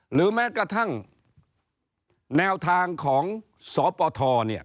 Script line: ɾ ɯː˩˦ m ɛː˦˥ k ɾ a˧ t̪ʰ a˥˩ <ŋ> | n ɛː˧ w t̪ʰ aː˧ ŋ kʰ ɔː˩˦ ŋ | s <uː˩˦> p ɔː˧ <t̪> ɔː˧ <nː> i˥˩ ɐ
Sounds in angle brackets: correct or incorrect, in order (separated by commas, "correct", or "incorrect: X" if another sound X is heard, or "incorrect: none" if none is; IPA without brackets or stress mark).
correct, incorrect: ɔː˩˦, incorrect: t̪ʰ, incorrect: n